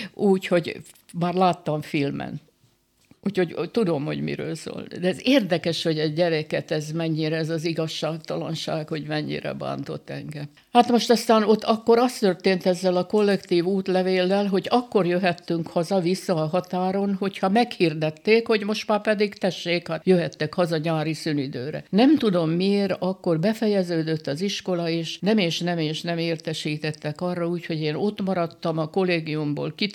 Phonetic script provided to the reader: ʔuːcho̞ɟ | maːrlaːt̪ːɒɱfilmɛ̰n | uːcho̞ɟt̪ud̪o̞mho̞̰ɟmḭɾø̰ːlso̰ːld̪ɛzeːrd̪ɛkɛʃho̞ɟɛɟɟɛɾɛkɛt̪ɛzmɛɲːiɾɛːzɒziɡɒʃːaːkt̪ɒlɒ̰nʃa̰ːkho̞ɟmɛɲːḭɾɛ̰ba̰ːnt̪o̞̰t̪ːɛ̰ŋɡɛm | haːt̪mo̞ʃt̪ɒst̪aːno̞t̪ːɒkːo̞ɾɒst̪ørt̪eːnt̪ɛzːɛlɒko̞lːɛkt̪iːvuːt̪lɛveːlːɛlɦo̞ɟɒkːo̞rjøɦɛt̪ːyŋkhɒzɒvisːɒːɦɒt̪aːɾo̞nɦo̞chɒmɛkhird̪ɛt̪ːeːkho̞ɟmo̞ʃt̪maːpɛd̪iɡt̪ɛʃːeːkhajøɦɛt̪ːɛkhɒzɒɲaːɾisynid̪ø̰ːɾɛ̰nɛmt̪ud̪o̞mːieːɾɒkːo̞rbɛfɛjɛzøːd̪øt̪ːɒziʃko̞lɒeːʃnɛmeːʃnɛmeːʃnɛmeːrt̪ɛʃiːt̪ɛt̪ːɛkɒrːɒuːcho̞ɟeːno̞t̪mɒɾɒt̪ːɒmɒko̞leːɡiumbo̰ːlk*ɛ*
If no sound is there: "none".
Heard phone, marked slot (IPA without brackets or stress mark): i